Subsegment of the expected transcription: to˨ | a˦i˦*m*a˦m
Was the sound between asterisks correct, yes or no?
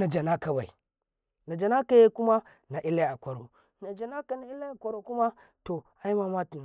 yes